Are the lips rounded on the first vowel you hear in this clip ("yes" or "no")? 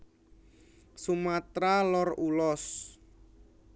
yes